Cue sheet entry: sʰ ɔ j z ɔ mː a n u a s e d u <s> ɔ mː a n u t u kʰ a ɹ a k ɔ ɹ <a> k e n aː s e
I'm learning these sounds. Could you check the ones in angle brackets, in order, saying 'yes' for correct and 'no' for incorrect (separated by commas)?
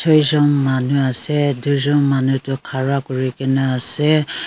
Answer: no, no